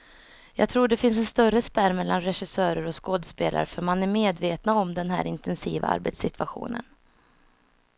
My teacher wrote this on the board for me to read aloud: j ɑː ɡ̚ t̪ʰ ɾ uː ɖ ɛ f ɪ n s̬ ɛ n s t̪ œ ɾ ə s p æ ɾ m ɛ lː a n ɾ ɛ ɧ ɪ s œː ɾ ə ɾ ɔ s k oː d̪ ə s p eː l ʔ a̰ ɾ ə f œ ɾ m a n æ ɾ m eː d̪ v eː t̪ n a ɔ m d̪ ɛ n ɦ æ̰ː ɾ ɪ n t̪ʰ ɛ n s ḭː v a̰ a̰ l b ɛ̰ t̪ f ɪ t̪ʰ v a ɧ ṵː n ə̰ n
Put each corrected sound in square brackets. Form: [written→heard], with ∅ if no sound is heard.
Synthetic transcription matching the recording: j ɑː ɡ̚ t̪ʰ ɾ uː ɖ ɛ f ɪ n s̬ ɛ n s t̪ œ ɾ ə s p æ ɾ m ɛ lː a n ɾ ɛ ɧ ɪ s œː ɾ ə ɾ ɔ s k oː d̪ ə s p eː l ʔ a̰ ɾ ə f œ ɾ m a n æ ɾ m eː d̪ v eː t̪ n a ɔ m d̪ ɛ n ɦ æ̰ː ɾ ɪ n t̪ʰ ɛ n s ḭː v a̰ a̰ [l→ɾ] b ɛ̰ t̪ [f→s] ɪ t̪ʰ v a ɧ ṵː n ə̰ n

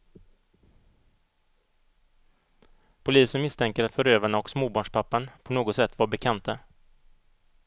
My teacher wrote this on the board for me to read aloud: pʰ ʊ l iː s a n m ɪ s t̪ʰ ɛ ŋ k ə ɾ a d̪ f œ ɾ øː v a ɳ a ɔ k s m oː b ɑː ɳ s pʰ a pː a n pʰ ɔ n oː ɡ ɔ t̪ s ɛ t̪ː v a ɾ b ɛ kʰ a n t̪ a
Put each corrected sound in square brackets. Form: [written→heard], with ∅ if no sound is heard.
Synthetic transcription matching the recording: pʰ ʊ l iː s [a→ə] n m ɪ s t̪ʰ ɛ ŋ k ə ɾ a [d̪→t̪] f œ ɾ øː v a ɳ a ɔ k s m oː b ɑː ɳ [s→ʂ] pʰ a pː a n pʰ ɔ n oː ɡ ɔ t̪ s ɛ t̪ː v a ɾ b ɛ kʰ a n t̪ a

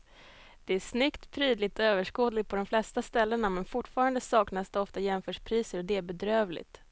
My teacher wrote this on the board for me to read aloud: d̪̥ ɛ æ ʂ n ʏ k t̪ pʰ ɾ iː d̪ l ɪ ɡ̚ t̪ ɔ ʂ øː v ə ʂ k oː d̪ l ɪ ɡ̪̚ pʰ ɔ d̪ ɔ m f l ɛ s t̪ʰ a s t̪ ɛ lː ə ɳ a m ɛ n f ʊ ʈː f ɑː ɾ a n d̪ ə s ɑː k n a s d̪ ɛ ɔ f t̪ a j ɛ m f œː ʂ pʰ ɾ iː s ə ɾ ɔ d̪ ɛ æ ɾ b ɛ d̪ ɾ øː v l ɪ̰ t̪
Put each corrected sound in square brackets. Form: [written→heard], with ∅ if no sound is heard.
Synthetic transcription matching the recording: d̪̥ ɛ æ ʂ n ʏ k t̪ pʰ ɾ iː d̪ l ɪ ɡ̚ t̪ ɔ [ʂ→∅] øː v ə ʂ k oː d̪ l ɪ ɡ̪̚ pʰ ɔ d̪ ɔ m f l ɛ s [t̪ʰ→t̪] a s t̪ ɛ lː ə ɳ a m ɛ n f ʊ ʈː f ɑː ɾ a n d̪ ə s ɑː k n a s d̪ ɛ ɔ f t̪ a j ɛ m f œː ʂ pʰ ɾ iː s ə ɾ ɔ d̪ ɛ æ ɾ b ɛ d̪ ɾ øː v l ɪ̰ t̪

